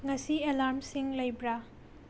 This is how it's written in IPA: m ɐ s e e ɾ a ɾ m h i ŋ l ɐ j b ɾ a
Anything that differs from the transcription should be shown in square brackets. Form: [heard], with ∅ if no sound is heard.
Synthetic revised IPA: [ŋ] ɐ s [i] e [l] a ɾ m [s] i ŋ l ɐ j b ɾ a